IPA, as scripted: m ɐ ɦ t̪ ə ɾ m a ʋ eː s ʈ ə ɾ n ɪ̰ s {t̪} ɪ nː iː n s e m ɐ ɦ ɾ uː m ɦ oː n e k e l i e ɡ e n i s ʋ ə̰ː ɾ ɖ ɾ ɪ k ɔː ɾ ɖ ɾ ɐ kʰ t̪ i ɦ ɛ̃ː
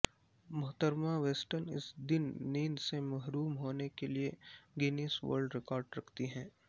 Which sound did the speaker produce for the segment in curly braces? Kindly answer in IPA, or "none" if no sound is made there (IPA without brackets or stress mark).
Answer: d̪